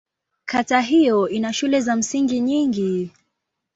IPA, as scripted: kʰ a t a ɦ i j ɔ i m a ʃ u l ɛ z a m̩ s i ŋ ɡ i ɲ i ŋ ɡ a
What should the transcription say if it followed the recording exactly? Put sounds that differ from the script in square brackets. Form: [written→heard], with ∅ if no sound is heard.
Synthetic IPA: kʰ a t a ɦ i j ɔ i [m→n] a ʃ u l ɛ z a m̩ s i ŋ ɡ i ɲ i ŋ ɡ [a→i]